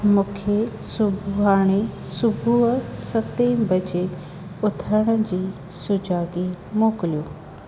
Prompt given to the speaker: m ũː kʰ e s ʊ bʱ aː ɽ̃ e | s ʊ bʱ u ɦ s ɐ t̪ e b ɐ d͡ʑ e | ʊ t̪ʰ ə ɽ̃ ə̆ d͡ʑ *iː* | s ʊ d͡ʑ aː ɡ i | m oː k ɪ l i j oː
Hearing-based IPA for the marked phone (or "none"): iː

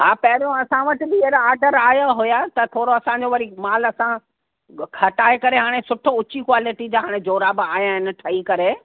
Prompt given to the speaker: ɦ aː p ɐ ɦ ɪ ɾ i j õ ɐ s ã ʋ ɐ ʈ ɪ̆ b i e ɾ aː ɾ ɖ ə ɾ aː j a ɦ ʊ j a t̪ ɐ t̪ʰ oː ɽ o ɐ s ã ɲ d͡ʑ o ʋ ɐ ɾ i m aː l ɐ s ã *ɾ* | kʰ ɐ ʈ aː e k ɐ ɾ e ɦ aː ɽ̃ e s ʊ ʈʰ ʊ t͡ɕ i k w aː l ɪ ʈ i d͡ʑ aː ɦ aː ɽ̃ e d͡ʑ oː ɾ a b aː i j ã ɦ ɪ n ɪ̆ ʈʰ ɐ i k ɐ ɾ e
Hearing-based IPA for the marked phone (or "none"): none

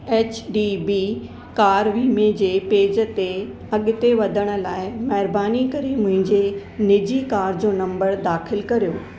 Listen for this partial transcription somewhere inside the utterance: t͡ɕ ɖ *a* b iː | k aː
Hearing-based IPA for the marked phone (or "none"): i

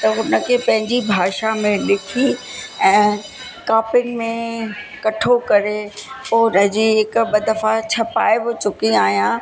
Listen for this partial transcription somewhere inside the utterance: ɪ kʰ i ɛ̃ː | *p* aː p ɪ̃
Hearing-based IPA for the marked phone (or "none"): k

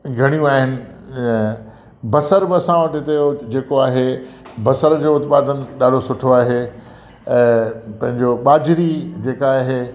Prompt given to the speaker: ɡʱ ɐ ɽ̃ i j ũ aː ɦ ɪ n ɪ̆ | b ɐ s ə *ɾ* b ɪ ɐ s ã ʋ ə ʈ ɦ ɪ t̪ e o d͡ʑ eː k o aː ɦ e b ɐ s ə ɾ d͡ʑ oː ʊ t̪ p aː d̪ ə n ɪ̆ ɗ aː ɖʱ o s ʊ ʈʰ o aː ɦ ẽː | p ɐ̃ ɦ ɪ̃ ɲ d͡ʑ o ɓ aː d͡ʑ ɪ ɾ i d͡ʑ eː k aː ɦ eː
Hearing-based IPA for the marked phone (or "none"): ɾ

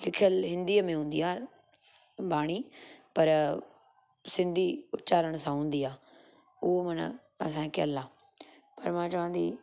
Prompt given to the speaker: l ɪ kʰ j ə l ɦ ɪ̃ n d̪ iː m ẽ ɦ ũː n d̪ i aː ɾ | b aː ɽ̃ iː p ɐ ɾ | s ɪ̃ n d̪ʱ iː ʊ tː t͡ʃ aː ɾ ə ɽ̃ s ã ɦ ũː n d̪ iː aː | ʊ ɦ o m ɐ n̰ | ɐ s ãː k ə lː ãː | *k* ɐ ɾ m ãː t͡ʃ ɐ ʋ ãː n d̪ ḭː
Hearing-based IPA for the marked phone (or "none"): p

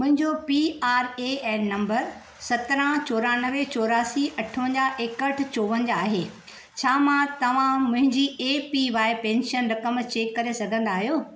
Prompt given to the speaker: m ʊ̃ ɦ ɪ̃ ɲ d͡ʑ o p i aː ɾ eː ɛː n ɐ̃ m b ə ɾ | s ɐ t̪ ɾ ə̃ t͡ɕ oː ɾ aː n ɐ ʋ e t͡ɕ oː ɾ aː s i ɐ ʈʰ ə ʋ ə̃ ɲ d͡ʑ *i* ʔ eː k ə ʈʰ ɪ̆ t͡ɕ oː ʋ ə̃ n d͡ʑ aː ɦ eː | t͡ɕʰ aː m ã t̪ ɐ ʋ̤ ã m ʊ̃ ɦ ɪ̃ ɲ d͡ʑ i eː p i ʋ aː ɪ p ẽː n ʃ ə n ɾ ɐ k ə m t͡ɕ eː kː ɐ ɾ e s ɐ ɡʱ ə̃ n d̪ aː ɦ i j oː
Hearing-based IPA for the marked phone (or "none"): a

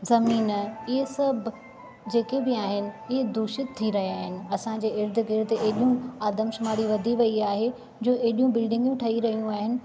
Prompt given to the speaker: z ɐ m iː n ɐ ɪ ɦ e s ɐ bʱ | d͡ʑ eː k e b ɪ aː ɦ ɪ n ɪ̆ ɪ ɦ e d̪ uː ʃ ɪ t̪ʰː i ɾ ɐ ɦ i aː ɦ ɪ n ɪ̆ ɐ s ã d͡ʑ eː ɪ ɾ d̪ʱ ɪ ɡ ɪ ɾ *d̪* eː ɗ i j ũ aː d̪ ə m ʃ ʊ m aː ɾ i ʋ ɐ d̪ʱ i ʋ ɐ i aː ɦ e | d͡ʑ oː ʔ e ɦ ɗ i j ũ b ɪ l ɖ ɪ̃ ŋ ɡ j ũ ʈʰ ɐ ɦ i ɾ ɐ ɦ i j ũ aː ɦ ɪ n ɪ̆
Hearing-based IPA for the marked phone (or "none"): d̪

